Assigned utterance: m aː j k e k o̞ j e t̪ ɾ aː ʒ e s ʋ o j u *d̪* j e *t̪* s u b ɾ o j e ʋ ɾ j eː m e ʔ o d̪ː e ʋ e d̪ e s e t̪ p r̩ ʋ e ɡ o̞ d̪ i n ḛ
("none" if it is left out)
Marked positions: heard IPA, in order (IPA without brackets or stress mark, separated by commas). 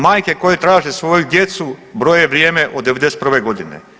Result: d̪, t̪